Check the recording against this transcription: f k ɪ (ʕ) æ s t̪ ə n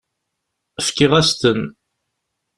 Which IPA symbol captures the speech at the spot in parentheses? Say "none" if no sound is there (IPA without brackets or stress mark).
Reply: ʁ